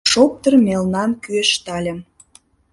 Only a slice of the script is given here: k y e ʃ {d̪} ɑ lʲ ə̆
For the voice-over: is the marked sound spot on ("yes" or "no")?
no